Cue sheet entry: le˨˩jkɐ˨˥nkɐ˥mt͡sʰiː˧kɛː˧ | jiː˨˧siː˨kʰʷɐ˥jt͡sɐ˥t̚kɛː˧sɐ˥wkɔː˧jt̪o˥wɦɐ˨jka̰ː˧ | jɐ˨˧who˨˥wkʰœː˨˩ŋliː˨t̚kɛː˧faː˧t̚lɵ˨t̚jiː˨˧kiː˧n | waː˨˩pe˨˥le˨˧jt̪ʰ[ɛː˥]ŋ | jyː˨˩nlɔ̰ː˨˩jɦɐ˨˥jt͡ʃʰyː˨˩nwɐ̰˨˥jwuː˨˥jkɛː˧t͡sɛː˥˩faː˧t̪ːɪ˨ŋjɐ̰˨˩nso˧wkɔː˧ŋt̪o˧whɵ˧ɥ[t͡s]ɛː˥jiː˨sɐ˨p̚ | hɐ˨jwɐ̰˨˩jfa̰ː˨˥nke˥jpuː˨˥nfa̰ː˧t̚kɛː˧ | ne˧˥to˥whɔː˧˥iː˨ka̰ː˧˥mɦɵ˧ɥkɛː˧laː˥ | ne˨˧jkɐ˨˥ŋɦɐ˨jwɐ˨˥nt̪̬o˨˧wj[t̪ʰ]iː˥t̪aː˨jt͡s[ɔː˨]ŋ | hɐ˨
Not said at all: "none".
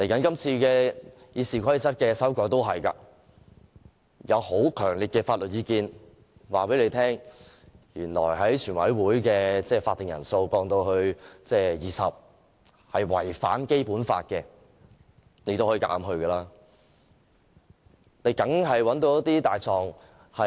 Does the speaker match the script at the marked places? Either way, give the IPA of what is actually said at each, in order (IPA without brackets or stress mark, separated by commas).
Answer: ɛː˥, t͡s, t̪, ɔː˨